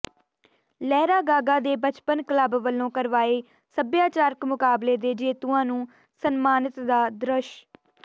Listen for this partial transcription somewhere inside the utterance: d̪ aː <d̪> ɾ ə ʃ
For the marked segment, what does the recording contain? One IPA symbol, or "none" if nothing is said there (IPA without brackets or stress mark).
d̪